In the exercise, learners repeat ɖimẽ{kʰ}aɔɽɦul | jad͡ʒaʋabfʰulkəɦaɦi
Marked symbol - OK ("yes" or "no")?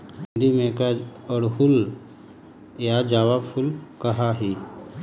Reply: no